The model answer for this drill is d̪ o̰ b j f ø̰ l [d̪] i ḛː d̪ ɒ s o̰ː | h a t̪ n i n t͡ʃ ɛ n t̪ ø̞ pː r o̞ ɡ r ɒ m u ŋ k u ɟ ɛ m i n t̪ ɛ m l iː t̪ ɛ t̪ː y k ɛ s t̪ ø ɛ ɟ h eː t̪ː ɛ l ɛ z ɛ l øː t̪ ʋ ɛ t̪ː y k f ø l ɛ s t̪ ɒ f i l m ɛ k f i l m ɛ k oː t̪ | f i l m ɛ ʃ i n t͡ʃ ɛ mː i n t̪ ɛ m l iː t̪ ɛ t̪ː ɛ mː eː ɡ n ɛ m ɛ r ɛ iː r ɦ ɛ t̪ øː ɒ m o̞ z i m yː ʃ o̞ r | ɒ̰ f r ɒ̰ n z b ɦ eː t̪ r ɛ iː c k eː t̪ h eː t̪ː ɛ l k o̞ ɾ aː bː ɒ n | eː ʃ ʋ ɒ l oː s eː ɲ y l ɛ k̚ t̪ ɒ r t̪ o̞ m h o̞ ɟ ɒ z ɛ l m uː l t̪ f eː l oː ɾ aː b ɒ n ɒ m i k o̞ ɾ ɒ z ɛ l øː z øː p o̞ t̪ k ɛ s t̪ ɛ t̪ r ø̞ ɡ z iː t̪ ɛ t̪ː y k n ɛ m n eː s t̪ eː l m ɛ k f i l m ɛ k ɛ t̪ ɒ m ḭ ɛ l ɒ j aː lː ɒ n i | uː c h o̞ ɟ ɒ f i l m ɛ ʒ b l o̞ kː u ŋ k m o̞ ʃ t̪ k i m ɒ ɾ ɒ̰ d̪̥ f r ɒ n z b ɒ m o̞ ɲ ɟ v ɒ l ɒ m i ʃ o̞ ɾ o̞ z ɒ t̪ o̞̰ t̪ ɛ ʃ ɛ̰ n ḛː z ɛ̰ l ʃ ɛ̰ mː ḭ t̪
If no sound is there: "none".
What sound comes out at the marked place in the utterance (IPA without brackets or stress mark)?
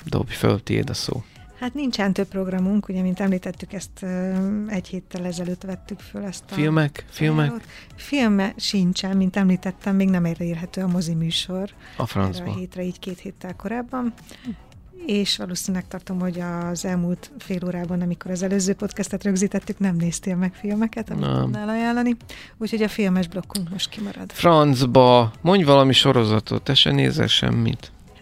t̪